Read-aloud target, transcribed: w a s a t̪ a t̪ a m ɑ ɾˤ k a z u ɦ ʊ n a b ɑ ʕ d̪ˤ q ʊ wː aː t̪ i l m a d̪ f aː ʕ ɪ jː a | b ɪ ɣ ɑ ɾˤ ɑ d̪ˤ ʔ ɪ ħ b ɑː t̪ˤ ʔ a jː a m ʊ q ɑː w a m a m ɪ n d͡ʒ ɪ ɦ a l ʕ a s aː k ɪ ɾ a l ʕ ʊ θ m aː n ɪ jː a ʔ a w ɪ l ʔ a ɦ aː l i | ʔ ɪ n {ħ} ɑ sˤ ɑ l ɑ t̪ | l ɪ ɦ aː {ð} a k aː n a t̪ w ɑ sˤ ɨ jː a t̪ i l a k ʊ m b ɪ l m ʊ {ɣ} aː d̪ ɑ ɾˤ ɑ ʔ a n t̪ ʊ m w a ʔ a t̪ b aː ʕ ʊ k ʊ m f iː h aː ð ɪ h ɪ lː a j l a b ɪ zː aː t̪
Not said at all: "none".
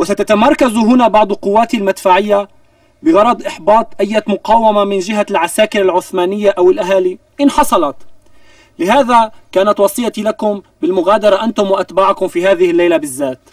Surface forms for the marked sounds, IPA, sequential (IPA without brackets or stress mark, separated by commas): ħ, ð, ɣ